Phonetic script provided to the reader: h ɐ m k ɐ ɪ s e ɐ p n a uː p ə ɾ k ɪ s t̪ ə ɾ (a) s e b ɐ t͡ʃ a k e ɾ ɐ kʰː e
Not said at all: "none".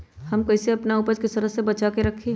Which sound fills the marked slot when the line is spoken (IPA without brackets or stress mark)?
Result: ə